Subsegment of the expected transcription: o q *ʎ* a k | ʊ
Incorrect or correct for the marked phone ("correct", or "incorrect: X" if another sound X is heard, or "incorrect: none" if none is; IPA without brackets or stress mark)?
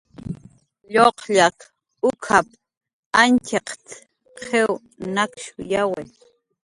correct